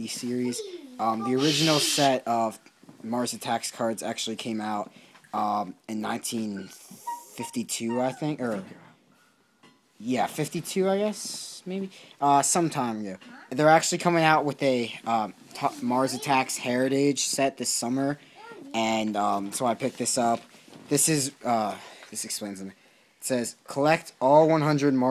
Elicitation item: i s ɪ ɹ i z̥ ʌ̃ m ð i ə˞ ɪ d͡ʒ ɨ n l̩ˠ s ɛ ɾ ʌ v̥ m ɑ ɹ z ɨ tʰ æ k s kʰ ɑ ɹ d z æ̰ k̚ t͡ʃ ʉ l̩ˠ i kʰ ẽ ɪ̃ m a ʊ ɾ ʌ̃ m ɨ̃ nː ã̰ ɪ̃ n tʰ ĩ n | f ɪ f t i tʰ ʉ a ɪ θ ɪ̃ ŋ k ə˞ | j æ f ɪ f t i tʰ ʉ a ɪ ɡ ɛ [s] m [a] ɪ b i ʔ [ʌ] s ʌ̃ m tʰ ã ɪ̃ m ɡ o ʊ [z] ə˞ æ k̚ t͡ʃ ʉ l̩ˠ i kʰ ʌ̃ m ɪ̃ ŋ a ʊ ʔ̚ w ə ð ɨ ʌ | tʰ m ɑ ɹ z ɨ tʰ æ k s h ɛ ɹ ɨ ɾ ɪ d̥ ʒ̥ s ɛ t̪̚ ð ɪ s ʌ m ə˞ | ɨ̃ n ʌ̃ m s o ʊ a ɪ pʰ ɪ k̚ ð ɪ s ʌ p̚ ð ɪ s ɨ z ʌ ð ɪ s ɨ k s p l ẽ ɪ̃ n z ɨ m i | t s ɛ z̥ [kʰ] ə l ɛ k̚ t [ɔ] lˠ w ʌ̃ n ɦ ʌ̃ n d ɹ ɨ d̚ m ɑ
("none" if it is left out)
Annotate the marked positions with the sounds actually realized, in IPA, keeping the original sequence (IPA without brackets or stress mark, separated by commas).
s, e, ʌ, ð, kʰ, ɔ